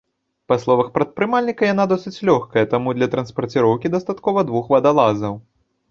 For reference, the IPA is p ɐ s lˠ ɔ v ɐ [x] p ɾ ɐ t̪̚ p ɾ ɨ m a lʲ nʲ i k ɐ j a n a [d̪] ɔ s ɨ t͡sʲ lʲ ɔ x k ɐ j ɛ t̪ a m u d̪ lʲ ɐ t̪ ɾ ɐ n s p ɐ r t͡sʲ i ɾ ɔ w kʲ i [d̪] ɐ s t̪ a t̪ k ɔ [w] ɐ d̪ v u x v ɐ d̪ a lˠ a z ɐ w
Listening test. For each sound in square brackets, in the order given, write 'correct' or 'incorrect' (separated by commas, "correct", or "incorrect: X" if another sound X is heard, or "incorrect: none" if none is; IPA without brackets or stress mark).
correct, correct, correct, incorrect: v